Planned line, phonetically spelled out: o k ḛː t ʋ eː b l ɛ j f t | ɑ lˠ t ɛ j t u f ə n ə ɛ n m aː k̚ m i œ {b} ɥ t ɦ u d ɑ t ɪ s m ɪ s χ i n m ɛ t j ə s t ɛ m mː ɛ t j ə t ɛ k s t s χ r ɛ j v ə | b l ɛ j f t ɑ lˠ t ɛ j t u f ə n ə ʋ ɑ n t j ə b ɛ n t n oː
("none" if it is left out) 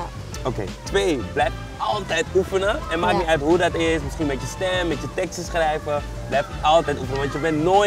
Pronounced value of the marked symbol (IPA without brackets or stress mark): none